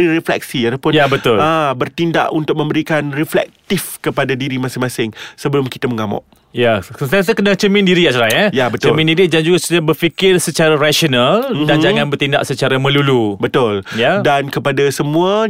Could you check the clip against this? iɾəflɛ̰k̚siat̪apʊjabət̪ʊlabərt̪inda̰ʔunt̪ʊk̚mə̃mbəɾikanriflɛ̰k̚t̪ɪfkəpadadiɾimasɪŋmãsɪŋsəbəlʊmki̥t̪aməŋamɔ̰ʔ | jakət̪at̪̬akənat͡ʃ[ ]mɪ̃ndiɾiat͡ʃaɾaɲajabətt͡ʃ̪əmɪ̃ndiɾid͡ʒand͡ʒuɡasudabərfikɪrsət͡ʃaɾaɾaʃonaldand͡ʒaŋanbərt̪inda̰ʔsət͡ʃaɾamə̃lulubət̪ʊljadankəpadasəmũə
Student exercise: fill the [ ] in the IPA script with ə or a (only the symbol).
ə